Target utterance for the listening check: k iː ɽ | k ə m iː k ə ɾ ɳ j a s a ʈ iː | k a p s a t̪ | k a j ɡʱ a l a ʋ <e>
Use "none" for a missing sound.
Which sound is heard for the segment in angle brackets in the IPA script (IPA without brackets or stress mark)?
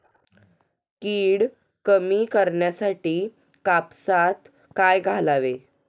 e